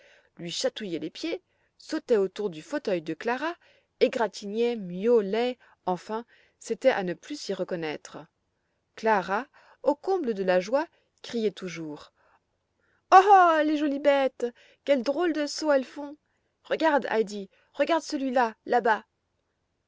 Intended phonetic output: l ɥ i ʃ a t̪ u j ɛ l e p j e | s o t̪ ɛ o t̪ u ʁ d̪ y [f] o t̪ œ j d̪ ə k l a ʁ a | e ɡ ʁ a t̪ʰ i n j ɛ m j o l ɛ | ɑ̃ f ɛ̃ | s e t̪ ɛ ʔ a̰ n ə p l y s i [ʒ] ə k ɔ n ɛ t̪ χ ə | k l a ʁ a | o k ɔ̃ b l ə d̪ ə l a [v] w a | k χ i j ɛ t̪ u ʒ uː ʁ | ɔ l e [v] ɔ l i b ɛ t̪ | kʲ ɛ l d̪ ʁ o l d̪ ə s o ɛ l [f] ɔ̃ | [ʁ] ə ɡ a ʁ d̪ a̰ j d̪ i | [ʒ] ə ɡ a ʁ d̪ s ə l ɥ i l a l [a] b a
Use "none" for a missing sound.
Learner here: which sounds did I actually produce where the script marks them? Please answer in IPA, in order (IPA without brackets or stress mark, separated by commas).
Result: f, ʁ, ʒ, ʒ, f, ʁ, ʁ, a